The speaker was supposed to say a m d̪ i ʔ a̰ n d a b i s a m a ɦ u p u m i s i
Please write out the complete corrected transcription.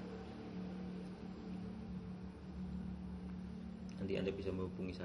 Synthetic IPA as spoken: a n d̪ i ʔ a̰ n d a b i s a m ə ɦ u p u ŋ i s a